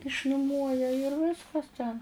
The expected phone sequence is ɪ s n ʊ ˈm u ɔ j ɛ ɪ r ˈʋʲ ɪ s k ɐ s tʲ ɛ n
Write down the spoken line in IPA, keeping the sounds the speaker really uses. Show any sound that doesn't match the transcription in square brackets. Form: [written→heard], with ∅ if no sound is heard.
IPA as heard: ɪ [s→ʃ] n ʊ ˈm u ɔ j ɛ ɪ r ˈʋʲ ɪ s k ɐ s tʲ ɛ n